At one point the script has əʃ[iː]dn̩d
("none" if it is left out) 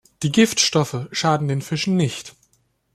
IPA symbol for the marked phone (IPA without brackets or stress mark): aː